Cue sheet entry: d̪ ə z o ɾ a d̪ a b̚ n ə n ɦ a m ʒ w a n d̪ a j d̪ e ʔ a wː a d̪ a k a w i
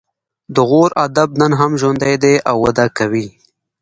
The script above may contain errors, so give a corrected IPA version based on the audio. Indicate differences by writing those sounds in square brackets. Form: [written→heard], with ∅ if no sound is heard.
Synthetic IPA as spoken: d̪ ə [z→ɣ] o ɾ a d̪ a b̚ n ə n ɦ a m ʒ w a n d̪ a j d̪ e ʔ a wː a d̪ a k a w i